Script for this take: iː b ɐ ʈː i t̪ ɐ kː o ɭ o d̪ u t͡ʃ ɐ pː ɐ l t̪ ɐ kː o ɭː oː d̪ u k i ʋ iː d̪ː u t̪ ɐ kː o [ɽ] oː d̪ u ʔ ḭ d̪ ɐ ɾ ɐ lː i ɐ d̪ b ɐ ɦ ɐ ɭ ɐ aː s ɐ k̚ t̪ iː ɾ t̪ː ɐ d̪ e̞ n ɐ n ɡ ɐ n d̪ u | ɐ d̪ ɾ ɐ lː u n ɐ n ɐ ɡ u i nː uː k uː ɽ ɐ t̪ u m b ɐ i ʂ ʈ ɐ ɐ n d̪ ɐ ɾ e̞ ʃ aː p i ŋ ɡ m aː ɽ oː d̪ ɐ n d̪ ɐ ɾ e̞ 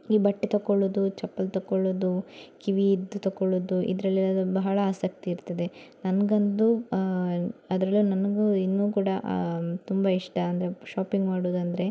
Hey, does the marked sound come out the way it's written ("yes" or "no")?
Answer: no